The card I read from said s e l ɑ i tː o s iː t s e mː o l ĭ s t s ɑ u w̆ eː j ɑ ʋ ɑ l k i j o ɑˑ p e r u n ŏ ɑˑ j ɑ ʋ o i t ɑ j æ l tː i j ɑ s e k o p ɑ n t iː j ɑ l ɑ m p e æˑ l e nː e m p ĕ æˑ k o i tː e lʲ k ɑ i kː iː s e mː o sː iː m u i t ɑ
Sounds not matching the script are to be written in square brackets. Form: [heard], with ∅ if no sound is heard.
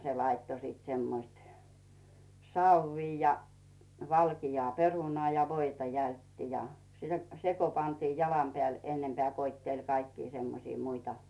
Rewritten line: s e l ɑ i tː o s iː t s e mː o [∅] ĭ s t s ɑ u w̆ [iː] j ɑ ʋ ɑ l k i j o ɑˑ p e r u n ŏ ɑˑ j ɑ ʋ o i t ɑ j æ l tː i j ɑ s e k o p ɑ n t iː j ɑ l ɑ m p e æˑ l e nː e m p ĕ æˑ k o i tː e lʲ k ɑ i kː iː s e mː o [s] iː m u i t ɑ